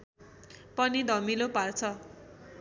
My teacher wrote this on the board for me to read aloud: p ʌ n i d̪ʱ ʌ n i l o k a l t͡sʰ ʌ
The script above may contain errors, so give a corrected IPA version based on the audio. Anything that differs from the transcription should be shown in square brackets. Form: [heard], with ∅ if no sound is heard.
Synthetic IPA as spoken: p ʌ n i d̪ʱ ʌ [m] i l o [p] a [r] t͡sʰ ʌ